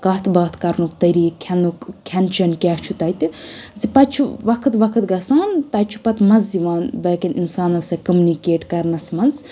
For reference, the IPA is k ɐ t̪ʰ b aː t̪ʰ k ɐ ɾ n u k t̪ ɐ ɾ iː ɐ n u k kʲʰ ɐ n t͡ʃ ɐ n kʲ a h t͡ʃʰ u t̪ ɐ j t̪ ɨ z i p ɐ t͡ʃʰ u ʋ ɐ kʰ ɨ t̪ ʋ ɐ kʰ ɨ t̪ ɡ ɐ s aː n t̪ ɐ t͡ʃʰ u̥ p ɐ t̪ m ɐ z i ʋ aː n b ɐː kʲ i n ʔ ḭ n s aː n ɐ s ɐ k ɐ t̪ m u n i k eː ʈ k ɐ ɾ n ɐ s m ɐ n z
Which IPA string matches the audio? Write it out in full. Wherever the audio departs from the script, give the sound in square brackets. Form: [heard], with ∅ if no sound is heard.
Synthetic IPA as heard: k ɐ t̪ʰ b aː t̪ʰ k ɐ ɾ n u k t̪ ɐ ɾ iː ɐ n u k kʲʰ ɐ n t͡ʃ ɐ n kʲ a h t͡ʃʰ u t̪ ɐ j t̪ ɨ z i p ɐ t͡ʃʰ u ʋ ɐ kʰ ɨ t̪ ʋ ɐ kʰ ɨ t̪ ɡ ɐ s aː n t̪ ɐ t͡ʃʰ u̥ p ɐ t̪ m ɐ z i ʋ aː n b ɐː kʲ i n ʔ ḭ n s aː n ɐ s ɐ k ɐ [∅] m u n i k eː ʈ k ɐ ɾ n ɐ s m ɐ n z